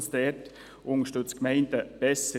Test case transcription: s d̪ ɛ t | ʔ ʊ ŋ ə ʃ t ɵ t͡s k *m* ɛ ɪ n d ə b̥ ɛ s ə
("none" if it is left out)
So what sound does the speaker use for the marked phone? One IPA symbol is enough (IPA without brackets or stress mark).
m